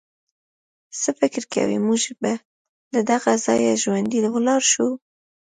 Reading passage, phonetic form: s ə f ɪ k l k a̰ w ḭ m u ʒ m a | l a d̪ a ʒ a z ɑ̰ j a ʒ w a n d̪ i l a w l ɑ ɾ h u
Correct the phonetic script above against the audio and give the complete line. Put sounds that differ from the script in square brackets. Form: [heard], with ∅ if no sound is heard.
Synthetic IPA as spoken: s ə f ɪ k [ɾ] k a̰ w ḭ m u ʒ [b] a | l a d̪ a [ɣ] a z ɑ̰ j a ʒ w a n d̪ i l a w l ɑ ɾ [ʃ] u